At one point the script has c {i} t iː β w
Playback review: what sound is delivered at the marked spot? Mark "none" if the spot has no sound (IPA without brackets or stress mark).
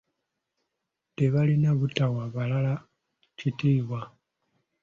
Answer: i